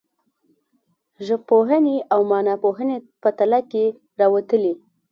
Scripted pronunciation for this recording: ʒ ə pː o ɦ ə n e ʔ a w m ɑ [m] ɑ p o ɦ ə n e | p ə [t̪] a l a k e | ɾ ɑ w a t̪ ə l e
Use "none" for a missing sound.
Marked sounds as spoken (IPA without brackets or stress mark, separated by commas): n, t̪